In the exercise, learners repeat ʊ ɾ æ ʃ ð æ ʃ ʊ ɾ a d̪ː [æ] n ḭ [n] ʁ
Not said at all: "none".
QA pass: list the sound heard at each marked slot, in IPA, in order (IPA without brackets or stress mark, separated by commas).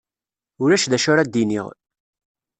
i, none